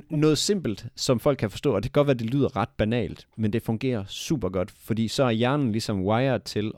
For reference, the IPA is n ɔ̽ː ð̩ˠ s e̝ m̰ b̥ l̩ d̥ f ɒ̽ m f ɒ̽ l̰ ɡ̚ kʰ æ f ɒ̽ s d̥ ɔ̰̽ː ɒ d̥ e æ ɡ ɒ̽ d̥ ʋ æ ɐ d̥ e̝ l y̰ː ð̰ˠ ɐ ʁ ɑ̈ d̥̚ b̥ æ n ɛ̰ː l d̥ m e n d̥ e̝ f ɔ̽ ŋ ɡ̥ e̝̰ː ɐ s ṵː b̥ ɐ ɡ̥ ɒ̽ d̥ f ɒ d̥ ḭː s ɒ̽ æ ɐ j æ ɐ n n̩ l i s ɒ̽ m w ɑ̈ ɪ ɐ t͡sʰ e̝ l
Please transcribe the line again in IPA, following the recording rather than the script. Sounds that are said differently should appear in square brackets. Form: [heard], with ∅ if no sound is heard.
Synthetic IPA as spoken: n ɔ̽ː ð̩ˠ s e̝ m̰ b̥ l̩ d̥ [s] ɒ̽ m f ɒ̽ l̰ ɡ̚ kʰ æ f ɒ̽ s d̥ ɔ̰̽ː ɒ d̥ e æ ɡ ɒ̽ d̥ ʋ æ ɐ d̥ e̝ l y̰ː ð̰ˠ ɐ ʁ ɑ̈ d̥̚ b̥ æ n ɛ̰ː l d̥ m e n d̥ e̝ f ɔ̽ ŋ ɡ̥ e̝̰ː ɐ s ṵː b̥ ɐ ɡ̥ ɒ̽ d̥ f ɒ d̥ ḭː s ɒ̽ æ ɐ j æ ɐ n n̩ l i s ɒ̽ m w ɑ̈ ɪ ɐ t͡sʰ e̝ l